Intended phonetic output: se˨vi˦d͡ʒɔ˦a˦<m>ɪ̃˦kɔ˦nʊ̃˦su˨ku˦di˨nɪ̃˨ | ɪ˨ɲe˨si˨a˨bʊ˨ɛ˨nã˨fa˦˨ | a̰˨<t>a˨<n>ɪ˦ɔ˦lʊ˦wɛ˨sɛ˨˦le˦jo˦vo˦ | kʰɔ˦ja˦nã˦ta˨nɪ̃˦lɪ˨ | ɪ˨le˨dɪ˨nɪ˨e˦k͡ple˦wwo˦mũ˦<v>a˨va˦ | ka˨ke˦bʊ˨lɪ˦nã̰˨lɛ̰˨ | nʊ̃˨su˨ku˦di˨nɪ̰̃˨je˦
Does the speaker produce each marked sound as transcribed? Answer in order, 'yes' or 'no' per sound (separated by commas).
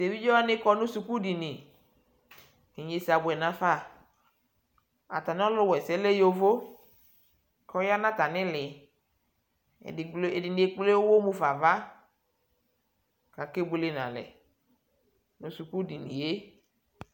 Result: no, yes, yes, no